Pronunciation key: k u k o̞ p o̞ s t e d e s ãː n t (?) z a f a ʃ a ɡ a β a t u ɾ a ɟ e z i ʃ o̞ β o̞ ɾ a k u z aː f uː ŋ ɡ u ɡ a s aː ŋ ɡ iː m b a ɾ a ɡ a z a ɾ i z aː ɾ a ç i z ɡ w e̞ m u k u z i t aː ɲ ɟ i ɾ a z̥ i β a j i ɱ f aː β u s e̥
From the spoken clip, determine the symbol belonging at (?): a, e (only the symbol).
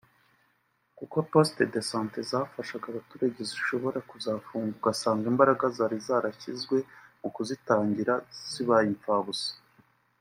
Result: e